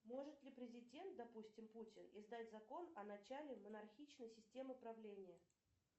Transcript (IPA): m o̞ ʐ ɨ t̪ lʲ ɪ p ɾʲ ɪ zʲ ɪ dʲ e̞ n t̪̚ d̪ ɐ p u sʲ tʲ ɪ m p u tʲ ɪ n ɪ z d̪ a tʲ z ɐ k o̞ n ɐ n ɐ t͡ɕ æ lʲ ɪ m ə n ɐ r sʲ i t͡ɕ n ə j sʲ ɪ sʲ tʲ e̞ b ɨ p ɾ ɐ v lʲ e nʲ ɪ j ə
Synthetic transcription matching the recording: m o̞ ʐ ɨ t̪ lʲ ɪ p ɾʲ ɪ zʲ ɪ dʲ e̞ n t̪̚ d̪ ɐ p u sʲ tʲ ɪ m p u tʲ ɪ n ɪ z d̪ a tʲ z ɐ k o̞ n ɐ n ɐ t͡ɕ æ lʲ ɪ m ə n ɐ r xʲ i t͡ɕ n ə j sʲ ɪ sʲ tʲ e̞ m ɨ p ɾ ɐ v lʲ e nʲ ɪ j ə

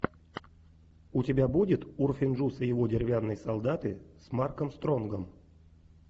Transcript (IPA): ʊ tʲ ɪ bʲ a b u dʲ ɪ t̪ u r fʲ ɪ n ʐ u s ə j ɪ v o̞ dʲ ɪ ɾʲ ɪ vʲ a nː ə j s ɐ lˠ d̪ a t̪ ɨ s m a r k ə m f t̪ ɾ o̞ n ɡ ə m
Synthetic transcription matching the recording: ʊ tʲ ɪ bʲ a b u dʲ ɪ t̪ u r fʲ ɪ n ʐ u s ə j ɪ v o̞ dʲ ɪ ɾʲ ɪ vʲ a nː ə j s ɐ lˠ d̪ a t̪ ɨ s m a r k ə m s t̪ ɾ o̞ n ɡ ə m

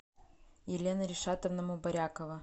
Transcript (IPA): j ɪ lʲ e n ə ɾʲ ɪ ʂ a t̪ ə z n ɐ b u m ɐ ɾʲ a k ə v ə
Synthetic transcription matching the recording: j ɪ lʲ e n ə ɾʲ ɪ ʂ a t̪ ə v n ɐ m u b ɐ ɾʲ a k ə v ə

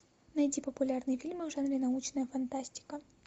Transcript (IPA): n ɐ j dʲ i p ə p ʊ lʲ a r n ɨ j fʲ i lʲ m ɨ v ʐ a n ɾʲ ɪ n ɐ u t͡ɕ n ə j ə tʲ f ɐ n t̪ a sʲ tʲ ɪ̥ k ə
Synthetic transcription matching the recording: n ɐ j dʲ i p ə p ʊ lʲ a r n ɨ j fʲ i lʲ m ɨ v ʐ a n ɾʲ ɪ n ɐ u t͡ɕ n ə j ə f ɐ n t̪ a sʲ tʲ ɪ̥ k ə

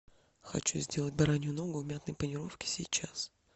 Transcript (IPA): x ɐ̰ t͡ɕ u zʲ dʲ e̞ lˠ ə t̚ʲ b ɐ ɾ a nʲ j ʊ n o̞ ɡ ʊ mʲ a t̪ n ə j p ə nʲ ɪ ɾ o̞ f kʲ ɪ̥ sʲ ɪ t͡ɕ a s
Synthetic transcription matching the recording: x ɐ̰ t͡ɕ u zʲ dʲ e̞ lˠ ə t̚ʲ b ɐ ɾ a nʲ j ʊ n o̞ ɡ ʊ mʲ a t̪ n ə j p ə nʲ ɪ ɾ o̞ f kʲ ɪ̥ sʲ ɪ t͡ɕ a s

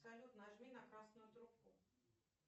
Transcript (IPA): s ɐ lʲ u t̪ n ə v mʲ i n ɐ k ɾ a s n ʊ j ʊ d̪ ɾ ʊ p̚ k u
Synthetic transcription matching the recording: s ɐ lʲ u t̪ n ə ʐ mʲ i n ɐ k ɾ a s n ʊ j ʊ t̪ ɾ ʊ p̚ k u

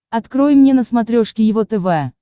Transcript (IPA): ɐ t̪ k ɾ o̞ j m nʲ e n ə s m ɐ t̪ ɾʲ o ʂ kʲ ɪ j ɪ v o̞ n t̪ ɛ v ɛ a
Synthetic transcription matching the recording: ɐ t̪ k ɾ o̞ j m nʲ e n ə s m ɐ t̪ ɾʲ o ʂ kʲ ɪ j ɪ v o̞ t̪ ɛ v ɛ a

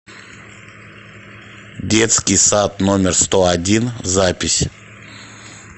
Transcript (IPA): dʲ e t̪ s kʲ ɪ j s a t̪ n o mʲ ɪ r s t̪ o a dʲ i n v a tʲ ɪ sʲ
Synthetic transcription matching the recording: dʲ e t̪ s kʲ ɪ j s a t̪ n o mʲ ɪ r s t̪ o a dʲ i n z a pʲ ɪ sʲ

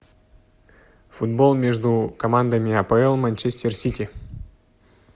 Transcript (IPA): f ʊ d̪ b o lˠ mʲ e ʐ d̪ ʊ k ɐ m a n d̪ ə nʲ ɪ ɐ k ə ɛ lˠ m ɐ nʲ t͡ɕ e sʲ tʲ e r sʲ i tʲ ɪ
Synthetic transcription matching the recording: f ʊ d̪ b o lˠ mʲ e ʐ d̪ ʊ k ɐ m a n d̪ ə mʲ ɪ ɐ p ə ɛ lˠ m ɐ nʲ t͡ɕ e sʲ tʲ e r sʲ i tʲ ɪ

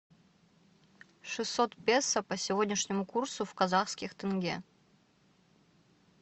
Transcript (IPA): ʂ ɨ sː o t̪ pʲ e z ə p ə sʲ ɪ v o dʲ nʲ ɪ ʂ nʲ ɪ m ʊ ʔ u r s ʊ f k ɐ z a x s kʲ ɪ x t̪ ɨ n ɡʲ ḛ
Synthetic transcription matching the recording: ʂ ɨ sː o t̪ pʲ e s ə p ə sʲ ɪ v o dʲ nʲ ɪ ʂ nʲ ɪ m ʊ k u r s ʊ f k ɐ z a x s kʲ ɪ x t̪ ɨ n ɡʲ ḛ

